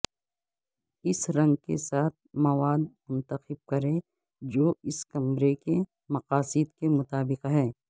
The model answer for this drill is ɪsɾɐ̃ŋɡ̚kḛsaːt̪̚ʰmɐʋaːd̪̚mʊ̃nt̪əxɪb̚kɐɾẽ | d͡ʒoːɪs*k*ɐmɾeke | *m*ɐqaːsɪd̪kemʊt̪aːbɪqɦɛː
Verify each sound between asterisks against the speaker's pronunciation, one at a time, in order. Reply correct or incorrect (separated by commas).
correct, correct